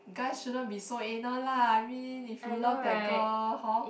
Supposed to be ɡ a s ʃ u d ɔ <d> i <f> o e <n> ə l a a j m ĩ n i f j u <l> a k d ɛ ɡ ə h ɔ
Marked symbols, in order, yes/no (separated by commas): no, no, yes, yes